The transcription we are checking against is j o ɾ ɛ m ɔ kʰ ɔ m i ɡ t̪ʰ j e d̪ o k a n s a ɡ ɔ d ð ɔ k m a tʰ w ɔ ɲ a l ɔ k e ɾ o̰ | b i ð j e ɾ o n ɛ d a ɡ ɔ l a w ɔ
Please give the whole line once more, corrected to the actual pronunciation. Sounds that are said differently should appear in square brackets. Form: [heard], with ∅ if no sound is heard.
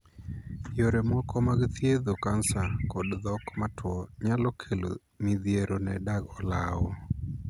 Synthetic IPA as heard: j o ɾ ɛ m ɔ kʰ ɔ m [a] ɡ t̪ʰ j e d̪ o k a n s a [k] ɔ d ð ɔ k m a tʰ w ɔ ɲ a l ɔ [kʰ] e [l] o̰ | [m] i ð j e ɾ o n ɛ d a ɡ ɔ l a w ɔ